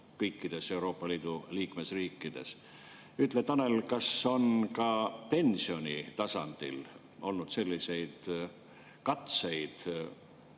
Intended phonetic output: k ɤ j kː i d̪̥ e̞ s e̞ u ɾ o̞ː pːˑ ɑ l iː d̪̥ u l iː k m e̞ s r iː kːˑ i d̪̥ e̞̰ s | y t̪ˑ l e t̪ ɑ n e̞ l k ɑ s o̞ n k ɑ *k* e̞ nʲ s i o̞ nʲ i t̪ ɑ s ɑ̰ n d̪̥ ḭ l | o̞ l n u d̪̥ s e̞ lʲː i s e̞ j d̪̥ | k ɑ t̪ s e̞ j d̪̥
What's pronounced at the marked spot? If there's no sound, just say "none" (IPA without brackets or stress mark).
p